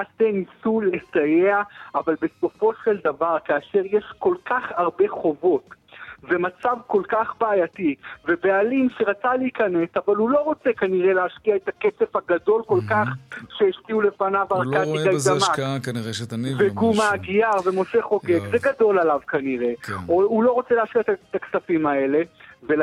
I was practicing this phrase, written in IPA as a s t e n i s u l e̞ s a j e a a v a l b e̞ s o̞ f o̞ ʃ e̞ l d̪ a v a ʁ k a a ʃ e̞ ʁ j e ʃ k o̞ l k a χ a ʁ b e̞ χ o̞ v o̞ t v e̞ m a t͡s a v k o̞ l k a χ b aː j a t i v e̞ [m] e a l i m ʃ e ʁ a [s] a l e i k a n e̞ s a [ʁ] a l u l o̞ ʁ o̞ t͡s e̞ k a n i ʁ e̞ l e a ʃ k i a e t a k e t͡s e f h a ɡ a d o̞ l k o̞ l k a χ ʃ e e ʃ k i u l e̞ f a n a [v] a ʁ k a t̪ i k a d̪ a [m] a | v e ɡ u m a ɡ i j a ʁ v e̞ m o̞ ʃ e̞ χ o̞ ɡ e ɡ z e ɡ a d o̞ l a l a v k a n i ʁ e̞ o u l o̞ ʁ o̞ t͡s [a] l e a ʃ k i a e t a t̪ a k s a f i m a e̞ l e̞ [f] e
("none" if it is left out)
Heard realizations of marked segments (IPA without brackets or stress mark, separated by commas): b, t͡s, v, v, m, e, v